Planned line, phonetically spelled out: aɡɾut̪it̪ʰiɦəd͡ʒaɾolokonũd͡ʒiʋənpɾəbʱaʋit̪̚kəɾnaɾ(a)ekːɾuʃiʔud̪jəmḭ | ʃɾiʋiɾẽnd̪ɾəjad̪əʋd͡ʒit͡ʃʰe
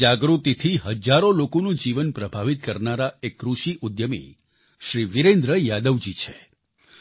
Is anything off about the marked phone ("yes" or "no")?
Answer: no